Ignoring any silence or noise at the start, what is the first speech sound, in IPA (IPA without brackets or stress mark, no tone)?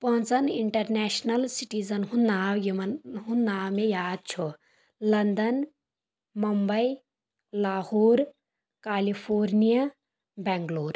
p